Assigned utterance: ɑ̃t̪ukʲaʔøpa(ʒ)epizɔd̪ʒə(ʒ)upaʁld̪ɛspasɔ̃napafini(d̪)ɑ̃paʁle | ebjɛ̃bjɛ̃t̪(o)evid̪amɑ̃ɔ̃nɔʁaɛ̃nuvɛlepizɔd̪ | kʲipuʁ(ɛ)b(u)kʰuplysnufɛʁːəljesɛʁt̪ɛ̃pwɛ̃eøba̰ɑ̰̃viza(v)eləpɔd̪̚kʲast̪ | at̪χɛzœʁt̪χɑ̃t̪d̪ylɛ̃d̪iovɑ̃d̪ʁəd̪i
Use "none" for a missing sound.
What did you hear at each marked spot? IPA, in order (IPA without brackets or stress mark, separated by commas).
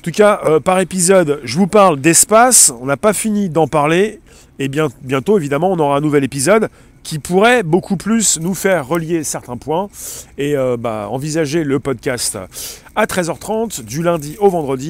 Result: ʁ, v, d̪, o, ɛ, o, ʒ